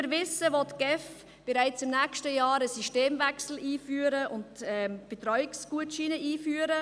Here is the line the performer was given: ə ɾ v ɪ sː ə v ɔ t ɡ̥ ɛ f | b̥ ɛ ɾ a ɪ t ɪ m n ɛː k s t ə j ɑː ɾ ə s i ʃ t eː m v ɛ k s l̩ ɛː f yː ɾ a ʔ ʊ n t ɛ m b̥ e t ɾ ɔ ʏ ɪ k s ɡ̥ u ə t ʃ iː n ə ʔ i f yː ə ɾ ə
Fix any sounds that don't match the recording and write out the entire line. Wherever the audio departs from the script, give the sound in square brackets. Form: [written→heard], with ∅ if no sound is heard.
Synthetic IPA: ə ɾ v ɪ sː ə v ɔ t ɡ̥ ɛ f | b̥ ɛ ɾ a ɪ [t→t͡s] ɪ m n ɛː k [s→ʃ] t ə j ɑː ɾ ə s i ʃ t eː m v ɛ k s l̩ [ɛː→iː] f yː ɾ [a→ə] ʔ ʊ n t ɛ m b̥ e t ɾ ɔ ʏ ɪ k s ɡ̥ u ə t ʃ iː n ə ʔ [i→iː] f yː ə ɾ ə